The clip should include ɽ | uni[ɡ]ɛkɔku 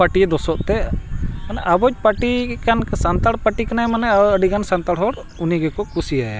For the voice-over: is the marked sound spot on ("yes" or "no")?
yes